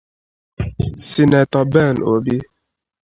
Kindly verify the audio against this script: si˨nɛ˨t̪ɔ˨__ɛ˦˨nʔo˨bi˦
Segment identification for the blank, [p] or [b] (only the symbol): b